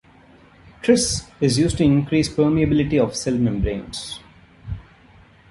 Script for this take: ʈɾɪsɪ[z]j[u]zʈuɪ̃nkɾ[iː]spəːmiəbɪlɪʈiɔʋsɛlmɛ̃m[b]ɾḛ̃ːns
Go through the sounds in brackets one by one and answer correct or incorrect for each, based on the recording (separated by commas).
correct, incorrect, correct, correct